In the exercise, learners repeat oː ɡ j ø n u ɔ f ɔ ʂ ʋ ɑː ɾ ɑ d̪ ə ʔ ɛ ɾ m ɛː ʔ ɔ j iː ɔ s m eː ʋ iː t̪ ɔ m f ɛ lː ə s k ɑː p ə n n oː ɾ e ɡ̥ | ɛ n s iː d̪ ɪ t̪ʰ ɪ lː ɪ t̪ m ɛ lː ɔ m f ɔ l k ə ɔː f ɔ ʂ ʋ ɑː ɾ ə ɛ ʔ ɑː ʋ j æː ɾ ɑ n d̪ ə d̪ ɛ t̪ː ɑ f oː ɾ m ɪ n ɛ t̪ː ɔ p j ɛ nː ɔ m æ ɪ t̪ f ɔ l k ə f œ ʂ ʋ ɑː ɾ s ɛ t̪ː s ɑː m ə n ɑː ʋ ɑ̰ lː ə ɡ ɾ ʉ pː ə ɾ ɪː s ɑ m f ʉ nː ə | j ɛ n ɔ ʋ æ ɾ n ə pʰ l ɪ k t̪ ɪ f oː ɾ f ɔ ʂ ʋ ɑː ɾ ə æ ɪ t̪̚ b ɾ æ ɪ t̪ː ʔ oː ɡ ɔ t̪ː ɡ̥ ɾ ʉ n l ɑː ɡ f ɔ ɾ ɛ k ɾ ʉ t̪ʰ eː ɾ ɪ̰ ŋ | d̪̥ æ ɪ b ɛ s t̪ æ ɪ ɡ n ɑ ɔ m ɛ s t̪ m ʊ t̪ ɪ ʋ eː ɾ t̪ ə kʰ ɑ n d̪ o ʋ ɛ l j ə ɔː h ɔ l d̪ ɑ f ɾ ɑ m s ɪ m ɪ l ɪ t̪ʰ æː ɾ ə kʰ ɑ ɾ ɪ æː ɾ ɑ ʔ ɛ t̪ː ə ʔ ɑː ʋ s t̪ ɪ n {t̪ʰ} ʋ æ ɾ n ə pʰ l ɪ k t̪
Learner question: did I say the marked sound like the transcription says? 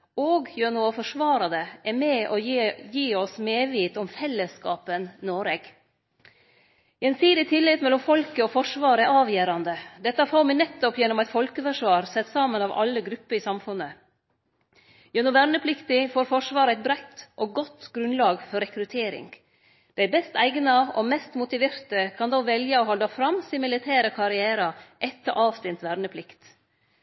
no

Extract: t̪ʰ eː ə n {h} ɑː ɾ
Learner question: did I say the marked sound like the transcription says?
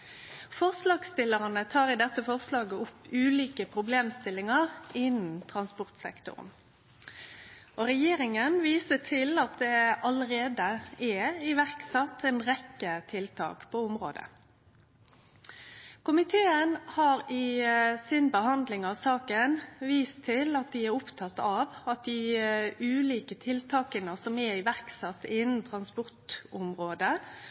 yes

